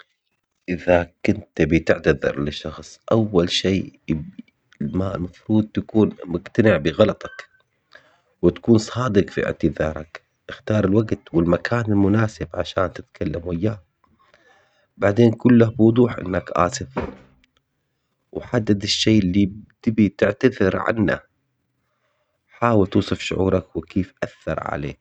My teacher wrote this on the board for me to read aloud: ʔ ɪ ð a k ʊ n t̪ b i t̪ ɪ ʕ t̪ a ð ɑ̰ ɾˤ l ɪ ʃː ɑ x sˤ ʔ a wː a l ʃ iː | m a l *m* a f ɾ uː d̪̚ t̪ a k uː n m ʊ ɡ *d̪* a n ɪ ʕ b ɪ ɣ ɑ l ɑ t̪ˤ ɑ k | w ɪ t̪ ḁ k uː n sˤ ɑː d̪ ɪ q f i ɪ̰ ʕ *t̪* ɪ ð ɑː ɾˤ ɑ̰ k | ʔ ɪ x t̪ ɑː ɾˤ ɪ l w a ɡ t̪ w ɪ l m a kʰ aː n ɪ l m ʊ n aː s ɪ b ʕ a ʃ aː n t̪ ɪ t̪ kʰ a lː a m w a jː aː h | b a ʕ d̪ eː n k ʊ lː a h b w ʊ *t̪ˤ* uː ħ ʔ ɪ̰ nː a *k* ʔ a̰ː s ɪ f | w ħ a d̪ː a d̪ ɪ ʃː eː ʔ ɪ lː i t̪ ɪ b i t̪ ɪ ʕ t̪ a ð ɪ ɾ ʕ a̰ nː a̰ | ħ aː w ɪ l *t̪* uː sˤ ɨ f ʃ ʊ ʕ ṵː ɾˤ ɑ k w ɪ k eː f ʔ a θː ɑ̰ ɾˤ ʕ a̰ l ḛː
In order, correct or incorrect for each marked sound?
correct, incorrect, correct, incorrect, correct, correct

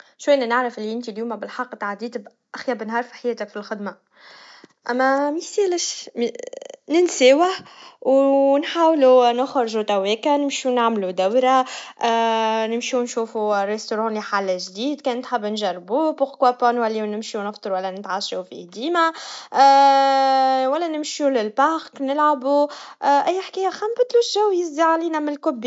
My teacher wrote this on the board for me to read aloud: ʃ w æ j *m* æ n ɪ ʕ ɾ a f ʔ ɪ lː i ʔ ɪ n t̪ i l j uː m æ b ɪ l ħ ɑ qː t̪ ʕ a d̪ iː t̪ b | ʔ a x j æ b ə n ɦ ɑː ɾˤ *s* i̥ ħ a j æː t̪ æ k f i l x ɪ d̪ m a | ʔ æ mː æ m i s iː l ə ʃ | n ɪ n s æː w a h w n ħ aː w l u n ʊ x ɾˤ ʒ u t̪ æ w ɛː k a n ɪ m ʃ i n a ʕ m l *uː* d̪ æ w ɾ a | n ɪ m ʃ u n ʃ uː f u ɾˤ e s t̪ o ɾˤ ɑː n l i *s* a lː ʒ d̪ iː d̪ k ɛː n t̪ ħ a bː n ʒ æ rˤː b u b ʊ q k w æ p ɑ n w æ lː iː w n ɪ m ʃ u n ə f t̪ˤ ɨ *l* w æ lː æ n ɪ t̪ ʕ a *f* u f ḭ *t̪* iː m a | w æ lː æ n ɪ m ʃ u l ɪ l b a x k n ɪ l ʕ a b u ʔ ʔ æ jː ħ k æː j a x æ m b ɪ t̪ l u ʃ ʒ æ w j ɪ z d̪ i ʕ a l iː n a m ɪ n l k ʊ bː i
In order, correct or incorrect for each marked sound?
incorrect, incorrect, incorrect, incorrect, incorrect, incorrect, incorrect

